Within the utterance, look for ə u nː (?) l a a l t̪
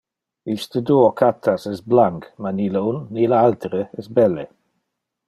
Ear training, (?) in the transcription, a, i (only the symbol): i